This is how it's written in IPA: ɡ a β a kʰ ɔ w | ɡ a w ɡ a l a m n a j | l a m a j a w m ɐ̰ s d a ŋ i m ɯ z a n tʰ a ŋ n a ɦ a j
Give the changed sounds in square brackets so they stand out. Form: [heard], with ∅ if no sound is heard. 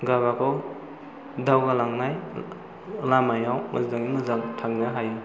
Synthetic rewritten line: ɡ a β a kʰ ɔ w | [d] a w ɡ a l a [ŋ] n a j | l a m a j a w m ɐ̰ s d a ŋ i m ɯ z a [ŋ] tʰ a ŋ n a ɦ a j

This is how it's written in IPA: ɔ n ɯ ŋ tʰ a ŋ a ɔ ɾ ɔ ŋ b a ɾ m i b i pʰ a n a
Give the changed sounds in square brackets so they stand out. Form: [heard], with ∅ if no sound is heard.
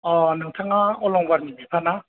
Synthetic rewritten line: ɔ n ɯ ŋ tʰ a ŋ a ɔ [l] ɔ ŋ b a ɾ m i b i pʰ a n a

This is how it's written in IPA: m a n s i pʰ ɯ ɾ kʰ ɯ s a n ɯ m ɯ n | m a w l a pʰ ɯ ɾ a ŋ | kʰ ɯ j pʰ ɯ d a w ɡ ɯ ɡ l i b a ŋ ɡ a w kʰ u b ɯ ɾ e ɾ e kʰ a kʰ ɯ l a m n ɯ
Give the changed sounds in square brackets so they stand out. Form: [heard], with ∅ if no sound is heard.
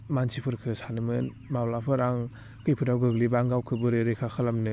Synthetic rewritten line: m a n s i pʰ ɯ ɾ kʰ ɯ s a n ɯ m ɯ n | m a w l a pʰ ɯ ɾ a ŋ | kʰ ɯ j pʰ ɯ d a w ɡ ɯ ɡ l i b a ŋ ɡ a w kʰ [ɯ] b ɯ ɾ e ɾ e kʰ a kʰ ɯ l a m n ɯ

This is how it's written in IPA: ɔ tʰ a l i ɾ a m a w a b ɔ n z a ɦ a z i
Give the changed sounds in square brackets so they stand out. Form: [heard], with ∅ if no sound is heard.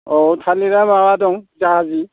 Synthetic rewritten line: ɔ tʰ a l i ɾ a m a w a [d] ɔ [ŋ] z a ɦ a z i

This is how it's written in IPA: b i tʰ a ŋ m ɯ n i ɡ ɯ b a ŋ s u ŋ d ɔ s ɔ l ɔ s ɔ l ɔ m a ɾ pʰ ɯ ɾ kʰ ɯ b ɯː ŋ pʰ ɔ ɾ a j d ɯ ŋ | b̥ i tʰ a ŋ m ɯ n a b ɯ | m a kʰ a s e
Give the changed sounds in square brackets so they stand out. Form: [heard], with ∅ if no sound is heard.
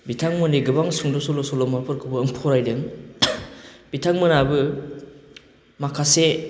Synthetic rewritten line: b i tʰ a ŋ m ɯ n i ɡ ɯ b a ŋ s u ŋ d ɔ s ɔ l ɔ s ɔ l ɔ m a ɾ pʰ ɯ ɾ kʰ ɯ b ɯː ŋ pʰ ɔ ɾ a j d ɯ ŋ | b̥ i tʰ a ŋ m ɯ n a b ɯ | m a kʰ a s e

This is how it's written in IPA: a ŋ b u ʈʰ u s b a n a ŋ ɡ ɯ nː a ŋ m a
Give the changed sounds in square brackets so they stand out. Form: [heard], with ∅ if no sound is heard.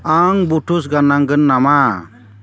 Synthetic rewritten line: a ŋ b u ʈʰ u s [ɡ] a n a ŋ ɡ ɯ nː a [∅] m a

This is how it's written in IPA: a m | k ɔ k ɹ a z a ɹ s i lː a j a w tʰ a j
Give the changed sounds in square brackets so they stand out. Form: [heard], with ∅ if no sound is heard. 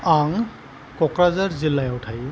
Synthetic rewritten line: a [ŋ] | k ɔ k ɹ a z a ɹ [z] i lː a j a w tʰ a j

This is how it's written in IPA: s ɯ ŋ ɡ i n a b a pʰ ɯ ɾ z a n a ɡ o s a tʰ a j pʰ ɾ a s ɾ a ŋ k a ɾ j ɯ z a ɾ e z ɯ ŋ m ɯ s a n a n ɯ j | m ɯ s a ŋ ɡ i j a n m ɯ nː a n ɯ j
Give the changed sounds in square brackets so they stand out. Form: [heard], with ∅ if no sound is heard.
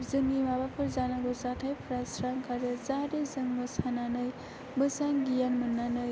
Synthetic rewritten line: [z] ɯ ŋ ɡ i [m] a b a pʰ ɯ ɾ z a n a ɡ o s a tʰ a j pʰ ɾ a s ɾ a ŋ k a ɾ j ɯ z a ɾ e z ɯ ŋ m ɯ s a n a n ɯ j | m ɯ s a ŋ ɡ i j a n m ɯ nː a n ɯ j

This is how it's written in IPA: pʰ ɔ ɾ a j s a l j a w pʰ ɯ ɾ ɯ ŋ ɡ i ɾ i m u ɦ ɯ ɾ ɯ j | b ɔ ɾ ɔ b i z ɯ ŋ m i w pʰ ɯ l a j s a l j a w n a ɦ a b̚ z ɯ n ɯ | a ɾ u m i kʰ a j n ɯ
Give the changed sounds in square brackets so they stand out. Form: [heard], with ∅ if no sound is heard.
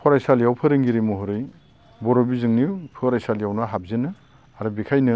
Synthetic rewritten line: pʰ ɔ ɾ a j s a l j a w pʰ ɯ ɾ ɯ ŋ ɡ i ɾ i m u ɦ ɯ ɾ ɯ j | b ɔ ɾ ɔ b i z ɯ ŋ [n] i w pʰ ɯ [ɾ] a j s a l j a w n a ɦ a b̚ z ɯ n ɯ | a ɾ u [b] i kʰ a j n ɯ

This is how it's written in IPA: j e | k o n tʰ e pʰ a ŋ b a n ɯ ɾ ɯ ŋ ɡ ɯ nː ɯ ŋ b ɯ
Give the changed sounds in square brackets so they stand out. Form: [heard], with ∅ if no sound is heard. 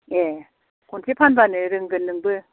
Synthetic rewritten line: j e | k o n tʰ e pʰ a [n] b a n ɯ ɾ ɯ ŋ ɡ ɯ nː ɯ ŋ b ɯ

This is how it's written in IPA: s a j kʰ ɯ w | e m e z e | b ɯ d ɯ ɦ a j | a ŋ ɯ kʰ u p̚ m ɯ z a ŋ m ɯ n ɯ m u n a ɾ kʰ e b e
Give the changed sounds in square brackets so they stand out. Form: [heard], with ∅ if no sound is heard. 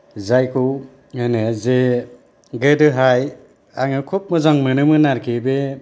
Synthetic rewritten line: [z] a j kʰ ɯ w | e [n] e z e | [ɡ] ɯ d ɯ ɦ a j | a ŋ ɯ kʰ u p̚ m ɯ z a ŋ m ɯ n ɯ m [ɯ] n a ɾ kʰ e b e

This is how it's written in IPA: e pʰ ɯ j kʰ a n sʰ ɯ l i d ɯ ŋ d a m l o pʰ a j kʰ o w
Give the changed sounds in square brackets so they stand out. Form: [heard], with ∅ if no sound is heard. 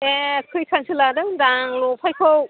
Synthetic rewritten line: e [kʰ] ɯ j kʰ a n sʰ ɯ l [a] d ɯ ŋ d a [ŋ] l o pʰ a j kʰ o w

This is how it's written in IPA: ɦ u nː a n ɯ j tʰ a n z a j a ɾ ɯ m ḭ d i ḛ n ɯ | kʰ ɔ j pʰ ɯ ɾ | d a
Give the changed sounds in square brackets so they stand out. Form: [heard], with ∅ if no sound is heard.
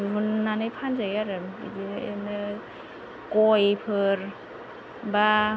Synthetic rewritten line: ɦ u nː a n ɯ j [pʰ] a n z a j a ɾ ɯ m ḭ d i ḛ n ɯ | [k] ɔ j pʰ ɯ ɾ | [b] a

